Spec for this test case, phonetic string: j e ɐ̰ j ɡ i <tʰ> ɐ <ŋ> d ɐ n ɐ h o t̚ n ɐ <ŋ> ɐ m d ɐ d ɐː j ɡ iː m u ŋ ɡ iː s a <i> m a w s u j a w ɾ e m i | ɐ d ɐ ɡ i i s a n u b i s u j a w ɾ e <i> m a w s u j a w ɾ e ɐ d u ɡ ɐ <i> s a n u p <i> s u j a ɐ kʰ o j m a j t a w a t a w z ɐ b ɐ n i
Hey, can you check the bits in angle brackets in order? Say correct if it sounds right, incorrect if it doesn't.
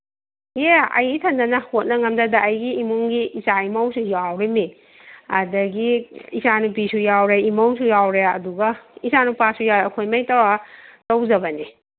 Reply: correct, incorrect: n, correct, correct, correct, correct, incorrect: a

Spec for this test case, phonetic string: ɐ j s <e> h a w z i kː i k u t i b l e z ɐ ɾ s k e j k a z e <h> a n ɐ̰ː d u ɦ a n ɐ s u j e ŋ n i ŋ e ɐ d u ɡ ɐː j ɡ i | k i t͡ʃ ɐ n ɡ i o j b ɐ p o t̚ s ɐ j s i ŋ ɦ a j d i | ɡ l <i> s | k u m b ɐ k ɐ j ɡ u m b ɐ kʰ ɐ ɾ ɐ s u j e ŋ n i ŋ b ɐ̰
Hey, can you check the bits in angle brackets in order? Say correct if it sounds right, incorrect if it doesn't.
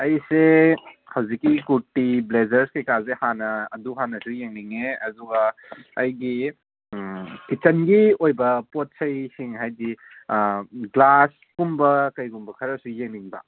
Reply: correct, correct, incorrect: a

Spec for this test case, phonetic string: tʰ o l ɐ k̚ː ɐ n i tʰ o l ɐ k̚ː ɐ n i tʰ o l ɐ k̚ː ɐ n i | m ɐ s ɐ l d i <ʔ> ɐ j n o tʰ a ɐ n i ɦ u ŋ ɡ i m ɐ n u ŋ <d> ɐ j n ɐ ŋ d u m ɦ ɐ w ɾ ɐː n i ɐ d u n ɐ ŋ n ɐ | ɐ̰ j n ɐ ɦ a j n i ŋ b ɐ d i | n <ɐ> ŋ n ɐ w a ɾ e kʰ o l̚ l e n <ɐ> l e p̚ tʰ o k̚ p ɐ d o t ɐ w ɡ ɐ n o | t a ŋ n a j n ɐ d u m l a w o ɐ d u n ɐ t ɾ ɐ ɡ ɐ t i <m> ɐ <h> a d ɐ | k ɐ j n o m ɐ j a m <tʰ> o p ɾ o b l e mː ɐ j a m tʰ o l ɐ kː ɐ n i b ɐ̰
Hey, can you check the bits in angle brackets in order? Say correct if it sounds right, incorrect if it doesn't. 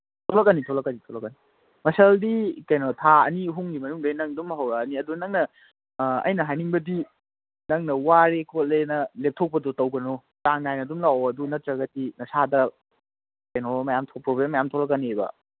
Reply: incorrect: k, correct, correct, correct, incorrect: n, incorrect: s, correct

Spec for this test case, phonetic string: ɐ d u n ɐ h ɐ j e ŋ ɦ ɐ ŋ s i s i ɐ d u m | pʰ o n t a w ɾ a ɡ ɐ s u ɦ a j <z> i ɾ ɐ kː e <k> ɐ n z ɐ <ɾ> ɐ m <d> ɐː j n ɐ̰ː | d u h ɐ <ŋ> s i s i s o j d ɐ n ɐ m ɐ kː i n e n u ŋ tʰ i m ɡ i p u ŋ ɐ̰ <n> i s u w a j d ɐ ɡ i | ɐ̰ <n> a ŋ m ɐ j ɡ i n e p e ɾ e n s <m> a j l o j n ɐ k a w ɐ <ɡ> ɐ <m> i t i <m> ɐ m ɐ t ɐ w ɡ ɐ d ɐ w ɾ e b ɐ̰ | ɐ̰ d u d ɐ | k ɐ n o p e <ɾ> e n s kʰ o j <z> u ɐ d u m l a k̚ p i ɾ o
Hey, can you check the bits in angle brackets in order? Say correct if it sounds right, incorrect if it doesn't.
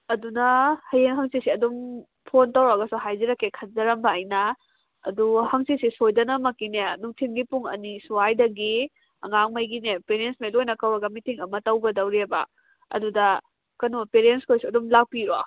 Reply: correct, incorrect: kʰ, correct, incorrect: b, correct, correct, incorrect: ŋ, correct, correct, correct, incorrect: ŋ, correct, incorrect: s

